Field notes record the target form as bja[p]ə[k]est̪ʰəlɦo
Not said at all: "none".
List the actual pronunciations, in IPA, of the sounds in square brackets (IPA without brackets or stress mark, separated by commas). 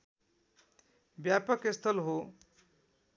p, k